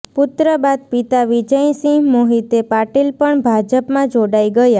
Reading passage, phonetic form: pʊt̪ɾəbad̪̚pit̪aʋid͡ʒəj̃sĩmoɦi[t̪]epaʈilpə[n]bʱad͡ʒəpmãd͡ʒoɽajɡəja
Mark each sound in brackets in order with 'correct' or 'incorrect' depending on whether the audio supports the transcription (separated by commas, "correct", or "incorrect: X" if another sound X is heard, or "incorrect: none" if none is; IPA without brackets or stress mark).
correct, incorrect: ɳ